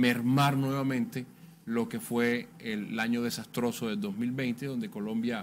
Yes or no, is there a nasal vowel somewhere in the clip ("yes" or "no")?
yes